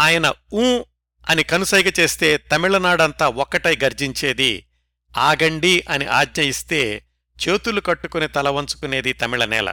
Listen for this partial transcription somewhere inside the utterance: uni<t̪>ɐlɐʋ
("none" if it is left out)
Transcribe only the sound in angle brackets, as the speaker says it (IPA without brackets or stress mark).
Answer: t̪